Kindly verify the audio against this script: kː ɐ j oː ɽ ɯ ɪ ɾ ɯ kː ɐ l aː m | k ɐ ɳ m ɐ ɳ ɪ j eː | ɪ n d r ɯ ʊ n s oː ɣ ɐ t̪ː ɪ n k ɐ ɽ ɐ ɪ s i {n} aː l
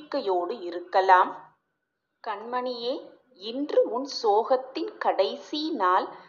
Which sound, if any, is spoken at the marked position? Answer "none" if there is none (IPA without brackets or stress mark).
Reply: n